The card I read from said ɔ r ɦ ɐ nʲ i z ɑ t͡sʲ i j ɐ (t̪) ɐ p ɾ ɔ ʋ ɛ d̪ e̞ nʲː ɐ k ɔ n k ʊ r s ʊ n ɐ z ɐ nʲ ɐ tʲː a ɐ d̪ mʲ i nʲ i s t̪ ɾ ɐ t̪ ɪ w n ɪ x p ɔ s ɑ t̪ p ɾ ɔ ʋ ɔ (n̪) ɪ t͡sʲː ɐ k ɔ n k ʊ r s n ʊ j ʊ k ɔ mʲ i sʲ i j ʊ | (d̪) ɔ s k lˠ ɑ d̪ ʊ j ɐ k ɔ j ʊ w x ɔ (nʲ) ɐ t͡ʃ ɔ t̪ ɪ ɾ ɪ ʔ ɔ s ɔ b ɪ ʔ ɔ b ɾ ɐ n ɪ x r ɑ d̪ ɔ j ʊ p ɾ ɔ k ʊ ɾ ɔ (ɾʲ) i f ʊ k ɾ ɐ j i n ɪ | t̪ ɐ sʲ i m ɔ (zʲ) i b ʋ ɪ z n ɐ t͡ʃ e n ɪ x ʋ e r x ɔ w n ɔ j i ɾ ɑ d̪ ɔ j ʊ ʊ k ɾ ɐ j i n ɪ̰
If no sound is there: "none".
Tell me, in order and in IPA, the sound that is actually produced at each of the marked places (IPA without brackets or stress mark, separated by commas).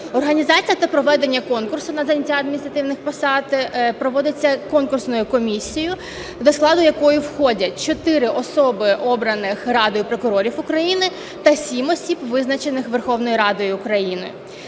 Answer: t̪, d̪, d̪, dʲ, ɾʲ, sʲ